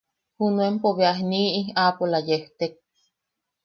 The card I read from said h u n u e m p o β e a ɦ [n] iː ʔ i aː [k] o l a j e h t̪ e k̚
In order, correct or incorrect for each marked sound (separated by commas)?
correct, incorrect